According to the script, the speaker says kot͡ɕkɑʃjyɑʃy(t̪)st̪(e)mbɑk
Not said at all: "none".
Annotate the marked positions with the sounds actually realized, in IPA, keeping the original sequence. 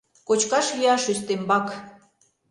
none, e

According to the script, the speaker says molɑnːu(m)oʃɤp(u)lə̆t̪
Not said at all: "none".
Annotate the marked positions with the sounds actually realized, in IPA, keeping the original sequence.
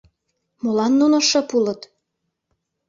n, u

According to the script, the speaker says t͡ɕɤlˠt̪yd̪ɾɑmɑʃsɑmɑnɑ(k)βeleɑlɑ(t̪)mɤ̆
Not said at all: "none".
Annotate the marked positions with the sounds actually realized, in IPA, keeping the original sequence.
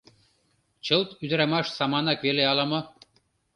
k, none

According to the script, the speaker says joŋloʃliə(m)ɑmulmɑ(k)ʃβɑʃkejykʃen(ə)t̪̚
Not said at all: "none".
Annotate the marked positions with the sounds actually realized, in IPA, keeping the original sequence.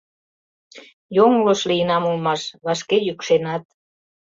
n, none, ɑ

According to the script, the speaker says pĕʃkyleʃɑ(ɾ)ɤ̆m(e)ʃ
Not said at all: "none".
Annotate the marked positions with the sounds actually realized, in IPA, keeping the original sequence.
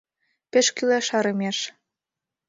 ɾ, e

